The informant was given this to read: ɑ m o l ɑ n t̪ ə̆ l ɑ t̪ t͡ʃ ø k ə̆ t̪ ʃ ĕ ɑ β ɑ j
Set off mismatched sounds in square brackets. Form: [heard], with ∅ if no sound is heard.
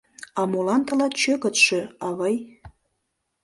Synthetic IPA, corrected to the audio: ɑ m o l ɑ n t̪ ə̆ l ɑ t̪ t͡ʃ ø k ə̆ t̪ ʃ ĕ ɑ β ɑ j